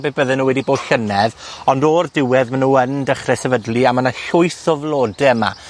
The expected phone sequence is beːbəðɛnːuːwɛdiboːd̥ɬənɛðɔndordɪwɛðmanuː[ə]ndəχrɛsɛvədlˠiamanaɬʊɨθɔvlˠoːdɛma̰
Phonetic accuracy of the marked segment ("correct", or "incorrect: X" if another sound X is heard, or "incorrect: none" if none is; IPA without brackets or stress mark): correct